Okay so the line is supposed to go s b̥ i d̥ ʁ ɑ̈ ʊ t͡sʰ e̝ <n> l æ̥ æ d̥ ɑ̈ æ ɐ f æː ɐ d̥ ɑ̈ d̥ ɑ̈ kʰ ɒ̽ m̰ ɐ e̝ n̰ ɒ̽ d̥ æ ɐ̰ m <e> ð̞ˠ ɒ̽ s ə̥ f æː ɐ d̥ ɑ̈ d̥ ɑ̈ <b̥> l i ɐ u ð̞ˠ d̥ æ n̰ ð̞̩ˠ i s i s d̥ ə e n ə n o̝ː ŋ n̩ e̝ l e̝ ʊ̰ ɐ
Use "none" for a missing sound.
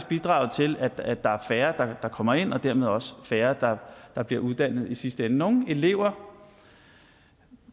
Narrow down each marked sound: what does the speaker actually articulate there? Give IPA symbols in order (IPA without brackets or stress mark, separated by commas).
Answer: none, e, b̥